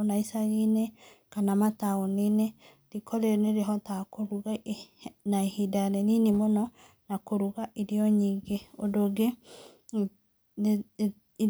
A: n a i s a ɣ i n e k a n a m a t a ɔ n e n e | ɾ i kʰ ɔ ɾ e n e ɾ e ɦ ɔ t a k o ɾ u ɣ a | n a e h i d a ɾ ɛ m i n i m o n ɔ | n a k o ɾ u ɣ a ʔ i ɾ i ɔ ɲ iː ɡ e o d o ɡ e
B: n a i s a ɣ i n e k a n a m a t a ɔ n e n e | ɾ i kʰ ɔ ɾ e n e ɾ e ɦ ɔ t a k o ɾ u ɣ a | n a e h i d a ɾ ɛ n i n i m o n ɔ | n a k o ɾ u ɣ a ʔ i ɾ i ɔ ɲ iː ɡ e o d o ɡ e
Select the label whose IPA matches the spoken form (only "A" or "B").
B